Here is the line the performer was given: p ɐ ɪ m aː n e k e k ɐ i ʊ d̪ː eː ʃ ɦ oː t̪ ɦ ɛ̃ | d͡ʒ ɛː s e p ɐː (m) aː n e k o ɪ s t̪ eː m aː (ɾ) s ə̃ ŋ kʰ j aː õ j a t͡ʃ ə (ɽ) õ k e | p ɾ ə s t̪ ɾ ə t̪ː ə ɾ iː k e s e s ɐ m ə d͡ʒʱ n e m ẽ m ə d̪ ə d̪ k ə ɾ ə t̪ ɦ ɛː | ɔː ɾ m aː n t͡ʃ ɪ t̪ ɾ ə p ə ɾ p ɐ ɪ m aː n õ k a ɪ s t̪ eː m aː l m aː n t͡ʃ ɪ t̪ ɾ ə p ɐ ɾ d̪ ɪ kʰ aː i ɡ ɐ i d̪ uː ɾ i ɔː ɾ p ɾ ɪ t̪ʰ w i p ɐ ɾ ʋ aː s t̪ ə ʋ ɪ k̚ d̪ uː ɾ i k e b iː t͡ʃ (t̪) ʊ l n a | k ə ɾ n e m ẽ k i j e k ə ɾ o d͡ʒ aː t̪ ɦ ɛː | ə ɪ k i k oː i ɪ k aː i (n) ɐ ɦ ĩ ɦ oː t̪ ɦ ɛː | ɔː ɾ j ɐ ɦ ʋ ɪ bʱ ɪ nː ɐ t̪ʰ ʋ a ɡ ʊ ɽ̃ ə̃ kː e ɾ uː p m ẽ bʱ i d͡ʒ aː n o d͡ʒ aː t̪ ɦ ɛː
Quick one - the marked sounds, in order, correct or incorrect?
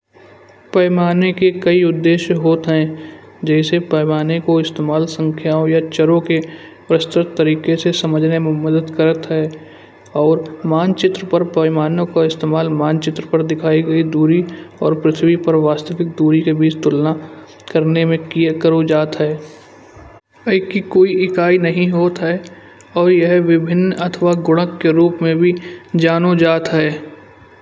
correct, incorrect: l, incorrect: ɾ, correct, correct

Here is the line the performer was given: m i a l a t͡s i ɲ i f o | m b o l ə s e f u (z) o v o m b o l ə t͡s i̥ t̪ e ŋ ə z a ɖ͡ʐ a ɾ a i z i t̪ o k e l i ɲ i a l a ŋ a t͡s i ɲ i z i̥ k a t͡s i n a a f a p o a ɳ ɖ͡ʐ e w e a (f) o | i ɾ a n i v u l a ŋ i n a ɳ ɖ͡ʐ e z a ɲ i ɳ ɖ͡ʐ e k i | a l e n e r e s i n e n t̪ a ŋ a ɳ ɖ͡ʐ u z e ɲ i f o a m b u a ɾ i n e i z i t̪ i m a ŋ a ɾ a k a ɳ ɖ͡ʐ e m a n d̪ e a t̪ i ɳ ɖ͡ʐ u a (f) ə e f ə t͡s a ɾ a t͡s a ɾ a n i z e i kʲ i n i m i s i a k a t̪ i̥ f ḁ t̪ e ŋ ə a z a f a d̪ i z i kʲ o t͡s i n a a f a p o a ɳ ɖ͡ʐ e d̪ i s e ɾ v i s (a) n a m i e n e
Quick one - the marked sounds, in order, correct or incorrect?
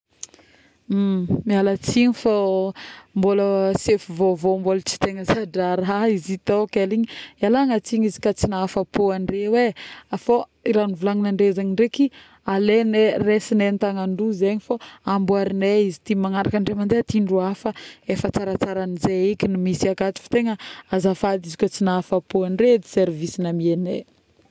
incorrect: v, correct, correct, incorrect: i

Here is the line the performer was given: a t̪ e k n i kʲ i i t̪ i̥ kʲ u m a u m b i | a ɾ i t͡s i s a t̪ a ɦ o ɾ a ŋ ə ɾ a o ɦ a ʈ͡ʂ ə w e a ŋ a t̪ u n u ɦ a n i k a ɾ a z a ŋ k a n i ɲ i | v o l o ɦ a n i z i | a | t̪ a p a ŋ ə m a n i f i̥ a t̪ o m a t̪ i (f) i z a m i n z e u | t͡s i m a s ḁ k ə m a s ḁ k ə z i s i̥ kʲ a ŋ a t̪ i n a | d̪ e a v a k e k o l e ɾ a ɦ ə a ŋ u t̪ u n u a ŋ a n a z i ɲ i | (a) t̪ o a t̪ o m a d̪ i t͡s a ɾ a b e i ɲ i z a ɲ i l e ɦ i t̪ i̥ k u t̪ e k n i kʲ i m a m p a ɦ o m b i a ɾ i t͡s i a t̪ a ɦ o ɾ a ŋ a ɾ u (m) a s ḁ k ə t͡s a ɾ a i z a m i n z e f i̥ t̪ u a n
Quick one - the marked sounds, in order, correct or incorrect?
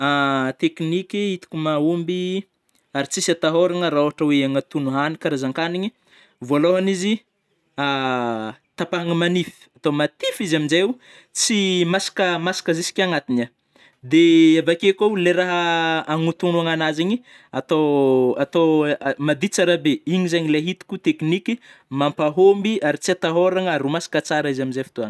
correct, correct, correct

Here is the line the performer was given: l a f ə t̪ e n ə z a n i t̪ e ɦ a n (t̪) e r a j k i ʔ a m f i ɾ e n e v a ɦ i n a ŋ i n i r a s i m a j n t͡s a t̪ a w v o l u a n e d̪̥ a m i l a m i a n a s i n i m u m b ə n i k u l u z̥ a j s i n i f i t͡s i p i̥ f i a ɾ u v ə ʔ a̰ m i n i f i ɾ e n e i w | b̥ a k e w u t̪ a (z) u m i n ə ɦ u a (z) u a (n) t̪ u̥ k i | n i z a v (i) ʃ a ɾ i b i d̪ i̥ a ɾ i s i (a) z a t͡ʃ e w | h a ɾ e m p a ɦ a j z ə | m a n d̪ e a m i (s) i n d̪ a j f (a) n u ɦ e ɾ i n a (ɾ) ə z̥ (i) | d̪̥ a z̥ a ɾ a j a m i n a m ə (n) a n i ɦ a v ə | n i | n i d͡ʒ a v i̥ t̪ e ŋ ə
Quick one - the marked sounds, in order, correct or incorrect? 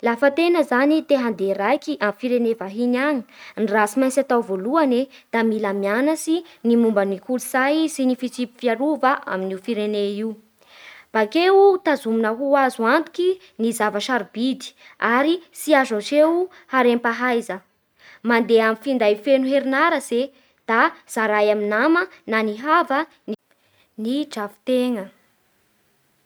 incorrect: d̪, correct, correct, correct, incorrect: a, correct, incorrect: f, incorrect: e, correct, incorrect: e, correct

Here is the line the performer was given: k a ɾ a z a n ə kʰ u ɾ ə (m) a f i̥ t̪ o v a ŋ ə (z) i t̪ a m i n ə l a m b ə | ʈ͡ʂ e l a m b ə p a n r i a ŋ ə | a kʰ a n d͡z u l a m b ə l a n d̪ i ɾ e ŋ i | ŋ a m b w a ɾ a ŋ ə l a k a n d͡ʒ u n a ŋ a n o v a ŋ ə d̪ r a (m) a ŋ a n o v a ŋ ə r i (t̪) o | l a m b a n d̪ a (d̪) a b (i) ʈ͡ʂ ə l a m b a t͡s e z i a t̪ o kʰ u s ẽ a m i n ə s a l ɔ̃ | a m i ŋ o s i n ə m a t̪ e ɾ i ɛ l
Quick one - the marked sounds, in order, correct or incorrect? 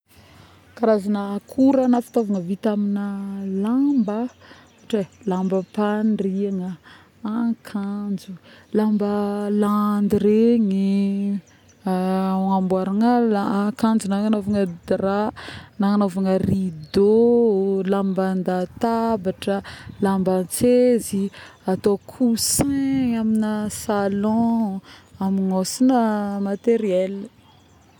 incorrect: n, incorrect: v, incorrect: n, incorrect: d̪, incorrect: t̪, incorrect: a

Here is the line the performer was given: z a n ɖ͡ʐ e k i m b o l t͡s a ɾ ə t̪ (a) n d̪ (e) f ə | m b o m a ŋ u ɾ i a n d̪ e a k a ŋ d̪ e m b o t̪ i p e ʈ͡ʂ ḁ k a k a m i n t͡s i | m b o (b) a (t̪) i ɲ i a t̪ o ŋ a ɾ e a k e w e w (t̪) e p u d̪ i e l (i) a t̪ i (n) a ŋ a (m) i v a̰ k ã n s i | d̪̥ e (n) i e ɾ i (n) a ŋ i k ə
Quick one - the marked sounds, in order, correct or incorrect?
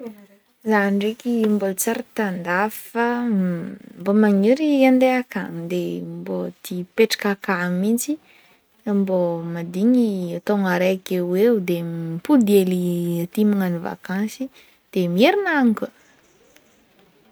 correct, incorrect: a, incorrect: m, incorrect: d̪, incorrect: d̪, correct, incorrect: m, incorrect: n, incorrect: m, correct

